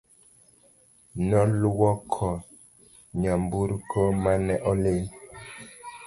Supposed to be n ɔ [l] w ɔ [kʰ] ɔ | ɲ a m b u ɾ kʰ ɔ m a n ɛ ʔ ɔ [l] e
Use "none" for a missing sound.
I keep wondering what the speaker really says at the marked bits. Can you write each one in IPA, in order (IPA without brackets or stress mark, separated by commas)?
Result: l, kʰ, l